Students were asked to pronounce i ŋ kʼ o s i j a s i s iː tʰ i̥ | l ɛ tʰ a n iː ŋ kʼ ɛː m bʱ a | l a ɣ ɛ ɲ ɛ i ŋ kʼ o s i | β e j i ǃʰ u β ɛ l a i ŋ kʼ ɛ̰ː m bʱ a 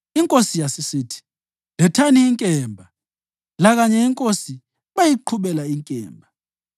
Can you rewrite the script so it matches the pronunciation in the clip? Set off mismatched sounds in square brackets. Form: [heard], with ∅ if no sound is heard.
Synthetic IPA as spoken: i ŋ kʼ o s i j a s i s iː tʰ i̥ | l ɛ tʰ a n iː ŋ kʼ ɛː m bʱ a | l a ɣ [a] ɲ ɛ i ŋ kʼ o s i | β [a] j i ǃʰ u β ɛ l a i ŋ kʼ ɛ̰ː m bʱ a

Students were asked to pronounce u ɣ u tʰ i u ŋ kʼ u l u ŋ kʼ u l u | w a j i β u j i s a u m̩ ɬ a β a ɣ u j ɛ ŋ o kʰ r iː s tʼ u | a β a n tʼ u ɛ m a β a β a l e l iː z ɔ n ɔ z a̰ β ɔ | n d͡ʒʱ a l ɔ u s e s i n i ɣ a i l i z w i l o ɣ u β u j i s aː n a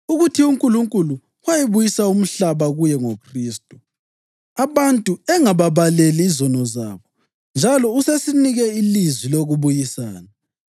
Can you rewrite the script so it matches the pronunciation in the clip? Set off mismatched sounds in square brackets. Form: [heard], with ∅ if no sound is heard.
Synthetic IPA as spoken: u ɣ u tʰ i u ŋ kʼ u l u ŋ kʼ u l u | w a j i β u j i s a u m̩ ɬ a β a ɣ u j ɛ ŋ o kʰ r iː s tʼ u | a β a n tʼ u ɛ [ŋ] a β a β a l e l iː z ɔ n ɔ z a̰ β ɔ | n d͡ʒʱ a l ɔ u s e s i n i ɣ [ɛ] i l i z w i l o ɣ u β u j i s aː n a

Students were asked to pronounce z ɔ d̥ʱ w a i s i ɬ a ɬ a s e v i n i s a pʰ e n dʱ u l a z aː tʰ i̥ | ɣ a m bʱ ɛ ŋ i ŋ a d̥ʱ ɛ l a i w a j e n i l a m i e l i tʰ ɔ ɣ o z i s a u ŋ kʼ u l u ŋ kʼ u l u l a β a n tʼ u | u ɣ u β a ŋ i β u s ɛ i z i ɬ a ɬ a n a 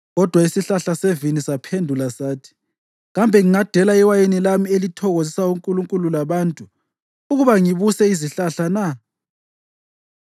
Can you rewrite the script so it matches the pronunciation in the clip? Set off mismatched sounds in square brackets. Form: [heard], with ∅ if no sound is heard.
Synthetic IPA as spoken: [ɣ] ɔ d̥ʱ w a i s i ɬ a ɬ a s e v i n i s a pʰ e n dʱ u l a [s] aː tʰ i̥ | ɣ a m bʱ ɛ ŋ i ŋ a d̥ʱ ɛ l a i w a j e n i l a m i e l i tʰ ɔ ɣ o z i s a u ŋ kʼ u l u ŋ kʼ u l u l a β a n tʼ u | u ɣ u β a ŋ i β u s ɛ i z i ɬ a ɬ a n a

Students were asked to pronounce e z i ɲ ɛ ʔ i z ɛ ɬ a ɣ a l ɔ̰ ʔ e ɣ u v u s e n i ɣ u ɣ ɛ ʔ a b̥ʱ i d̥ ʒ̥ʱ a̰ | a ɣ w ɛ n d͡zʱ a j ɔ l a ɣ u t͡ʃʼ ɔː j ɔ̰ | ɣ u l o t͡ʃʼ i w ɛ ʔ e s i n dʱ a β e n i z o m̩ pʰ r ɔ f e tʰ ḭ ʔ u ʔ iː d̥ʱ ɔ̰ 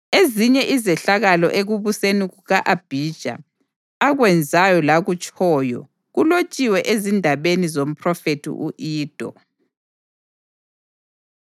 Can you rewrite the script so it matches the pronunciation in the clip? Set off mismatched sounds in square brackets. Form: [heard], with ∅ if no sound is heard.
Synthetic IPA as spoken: e z i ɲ ɛ ʔ i z ɛ ɬ a ɣ a l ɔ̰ ʔ e ɣ u [β] u s e n i ɣ u ɣ [a] ʔ a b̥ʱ i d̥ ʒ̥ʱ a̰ | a ɣ w ɛ n d͡zʱ a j ɔ l a ɣ u t͡ʃʼ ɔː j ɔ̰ | ɣ u l o t͡ʃʼ i w ɛ ʔ e [z] i n dʱ a β e n i z o m̩ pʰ r ɔ f e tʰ ḭ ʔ u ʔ iː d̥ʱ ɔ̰

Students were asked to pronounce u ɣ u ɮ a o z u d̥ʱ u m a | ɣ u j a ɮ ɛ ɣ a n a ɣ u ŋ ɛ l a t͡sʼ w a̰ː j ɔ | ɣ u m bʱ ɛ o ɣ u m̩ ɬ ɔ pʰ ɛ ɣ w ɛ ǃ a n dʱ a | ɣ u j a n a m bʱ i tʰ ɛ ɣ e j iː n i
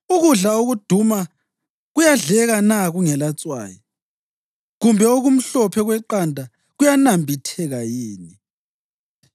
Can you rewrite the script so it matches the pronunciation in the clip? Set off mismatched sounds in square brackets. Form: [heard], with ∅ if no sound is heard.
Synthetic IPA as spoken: u ɣ u ɮ a o [ɣ] u d̥ʱ u m a | ɣ u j a ɮ ɛ ɣ a n a ɣ u ŋ ɛ l a t͡sʼ w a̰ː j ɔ | ɣ u m bʱ ɛ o ɣ u m̩ ɬ ɔ pʰ ɛ ɣ w ɛ ǃ a n dʱ a | ɣ u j a n a m bʱ i tʰ ɛ ɣ [a] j iː n i

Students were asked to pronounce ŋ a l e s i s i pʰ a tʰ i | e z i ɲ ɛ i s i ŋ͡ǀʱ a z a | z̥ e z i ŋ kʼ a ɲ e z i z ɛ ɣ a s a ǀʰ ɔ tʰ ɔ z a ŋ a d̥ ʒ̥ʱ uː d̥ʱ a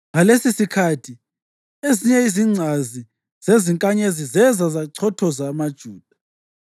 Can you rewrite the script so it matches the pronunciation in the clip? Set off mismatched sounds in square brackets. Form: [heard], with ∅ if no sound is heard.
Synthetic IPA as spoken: ŋ a l e s i s i [kʰ] a tʰ i | e z i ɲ ɛ i [z] i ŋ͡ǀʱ a z [i] | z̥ e z i ŋ kʼ a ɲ e z i z ɛ [z] a [z] a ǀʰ ɔ tʰ ɔ z a [m] a d̥ ʒ̥ʱ uː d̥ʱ a

